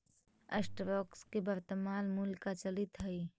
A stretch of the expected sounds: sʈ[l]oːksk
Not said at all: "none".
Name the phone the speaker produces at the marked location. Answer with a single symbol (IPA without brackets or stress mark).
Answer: ɾ